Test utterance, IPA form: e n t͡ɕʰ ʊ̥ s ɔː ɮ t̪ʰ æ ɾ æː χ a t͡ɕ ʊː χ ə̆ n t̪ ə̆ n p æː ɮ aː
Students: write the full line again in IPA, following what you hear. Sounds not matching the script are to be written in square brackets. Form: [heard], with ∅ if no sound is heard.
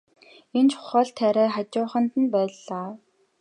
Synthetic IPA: e n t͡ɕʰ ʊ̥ [χ] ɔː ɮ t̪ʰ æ ɾ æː χ a t͡ɕ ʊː χ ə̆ n t̪ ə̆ n p æː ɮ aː